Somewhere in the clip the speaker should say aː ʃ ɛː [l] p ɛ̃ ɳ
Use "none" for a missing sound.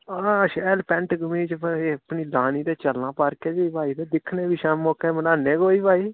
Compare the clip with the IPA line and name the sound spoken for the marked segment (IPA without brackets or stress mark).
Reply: l